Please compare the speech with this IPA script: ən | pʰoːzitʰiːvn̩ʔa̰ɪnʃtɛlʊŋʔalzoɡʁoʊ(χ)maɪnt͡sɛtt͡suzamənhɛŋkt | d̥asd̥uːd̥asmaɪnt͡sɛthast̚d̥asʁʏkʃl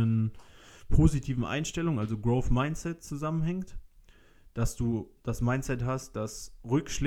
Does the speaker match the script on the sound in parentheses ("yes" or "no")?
no